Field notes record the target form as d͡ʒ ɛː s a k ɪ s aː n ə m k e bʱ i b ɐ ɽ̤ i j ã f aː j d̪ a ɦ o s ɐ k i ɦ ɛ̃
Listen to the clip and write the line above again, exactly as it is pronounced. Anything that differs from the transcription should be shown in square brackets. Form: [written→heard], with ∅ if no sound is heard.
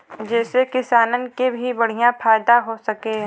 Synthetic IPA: d͡ʒ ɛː s [a→e] k ɪ s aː n ə [m→n] k e bʱ i b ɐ ɽ̤ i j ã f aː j d̪ a ɦ o s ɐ k [i→e] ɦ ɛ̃